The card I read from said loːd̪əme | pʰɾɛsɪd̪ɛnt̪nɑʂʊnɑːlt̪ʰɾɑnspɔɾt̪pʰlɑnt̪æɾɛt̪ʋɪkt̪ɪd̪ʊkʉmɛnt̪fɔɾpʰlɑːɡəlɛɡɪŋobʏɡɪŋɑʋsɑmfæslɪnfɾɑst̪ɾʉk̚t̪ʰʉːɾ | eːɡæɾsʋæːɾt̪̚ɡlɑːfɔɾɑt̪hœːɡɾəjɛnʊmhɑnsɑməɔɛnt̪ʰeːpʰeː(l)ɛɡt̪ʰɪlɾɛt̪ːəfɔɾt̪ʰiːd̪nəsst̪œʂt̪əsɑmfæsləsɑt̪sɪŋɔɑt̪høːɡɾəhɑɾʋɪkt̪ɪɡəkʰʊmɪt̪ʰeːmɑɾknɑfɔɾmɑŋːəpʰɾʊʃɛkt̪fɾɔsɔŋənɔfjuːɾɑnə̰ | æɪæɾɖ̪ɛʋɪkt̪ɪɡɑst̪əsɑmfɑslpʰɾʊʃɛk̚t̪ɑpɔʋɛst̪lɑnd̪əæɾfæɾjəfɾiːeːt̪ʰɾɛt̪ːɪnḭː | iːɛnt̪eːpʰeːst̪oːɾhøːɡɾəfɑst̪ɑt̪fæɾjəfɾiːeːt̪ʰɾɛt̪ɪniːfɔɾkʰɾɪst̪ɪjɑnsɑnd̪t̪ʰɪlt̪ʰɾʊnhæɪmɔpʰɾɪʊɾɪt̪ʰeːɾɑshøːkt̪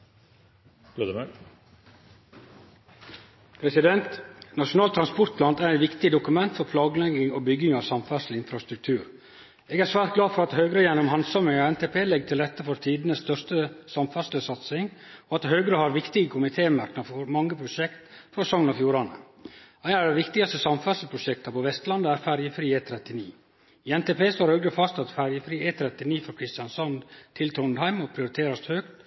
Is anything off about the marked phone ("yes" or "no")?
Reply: no